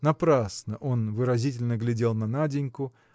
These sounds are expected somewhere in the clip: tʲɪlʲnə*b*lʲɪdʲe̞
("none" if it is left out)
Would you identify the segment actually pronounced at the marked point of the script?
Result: ɡ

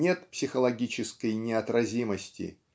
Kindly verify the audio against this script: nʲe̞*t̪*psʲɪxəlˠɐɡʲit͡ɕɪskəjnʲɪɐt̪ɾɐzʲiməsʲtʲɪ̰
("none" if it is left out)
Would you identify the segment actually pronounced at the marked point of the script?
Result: t̪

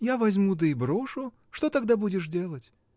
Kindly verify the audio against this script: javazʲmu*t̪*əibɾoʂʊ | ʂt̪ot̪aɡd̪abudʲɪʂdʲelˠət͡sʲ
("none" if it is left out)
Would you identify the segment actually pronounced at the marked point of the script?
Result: d̪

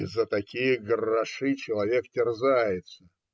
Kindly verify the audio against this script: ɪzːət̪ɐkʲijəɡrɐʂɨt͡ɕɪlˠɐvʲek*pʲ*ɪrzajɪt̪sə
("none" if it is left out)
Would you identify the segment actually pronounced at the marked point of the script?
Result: tʲ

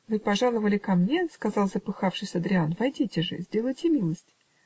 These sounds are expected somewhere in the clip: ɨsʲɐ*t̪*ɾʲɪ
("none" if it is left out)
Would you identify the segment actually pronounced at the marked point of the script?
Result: d̪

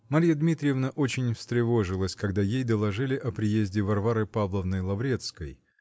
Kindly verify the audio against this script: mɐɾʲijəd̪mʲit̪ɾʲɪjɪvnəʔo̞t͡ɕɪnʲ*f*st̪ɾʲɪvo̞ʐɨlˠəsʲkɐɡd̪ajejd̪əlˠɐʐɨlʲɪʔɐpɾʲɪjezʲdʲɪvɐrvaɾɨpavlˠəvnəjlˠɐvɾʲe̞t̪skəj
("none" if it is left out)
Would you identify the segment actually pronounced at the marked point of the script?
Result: f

